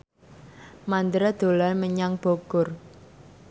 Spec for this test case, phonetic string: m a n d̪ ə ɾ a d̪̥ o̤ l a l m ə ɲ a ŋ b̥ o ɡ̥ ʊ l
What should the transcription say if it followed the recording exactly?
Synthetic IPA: m a n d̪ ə ɾ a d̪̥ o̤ l a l m ə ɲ a ŋ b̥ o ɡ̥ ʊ r